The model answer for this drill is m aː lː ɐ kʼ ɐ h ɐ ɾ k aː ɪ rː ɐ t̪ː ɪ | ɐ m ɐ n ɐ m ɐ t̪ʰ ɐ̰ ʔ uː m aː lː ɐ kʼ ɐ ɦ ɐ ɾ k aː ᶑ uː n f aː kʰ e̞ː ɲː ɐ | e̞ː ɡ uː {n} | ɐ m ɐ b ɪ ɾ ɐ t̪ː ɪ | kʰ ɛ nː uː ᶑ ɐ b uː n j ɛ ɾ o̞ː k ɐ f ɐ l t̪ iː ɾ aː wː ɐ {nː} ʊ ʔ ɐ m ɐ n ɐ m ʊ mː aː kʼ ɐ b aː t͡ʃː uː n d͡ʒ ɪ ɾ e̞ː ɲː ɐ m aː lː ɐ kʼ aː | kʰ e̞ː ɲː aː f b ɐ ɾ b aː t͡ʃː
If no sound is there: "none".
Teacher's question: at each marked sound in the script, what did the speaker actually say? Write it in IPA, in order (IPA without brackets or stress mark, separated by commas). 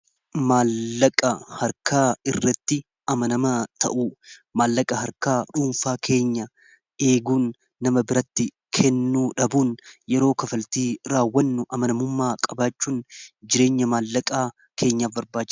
nː, nː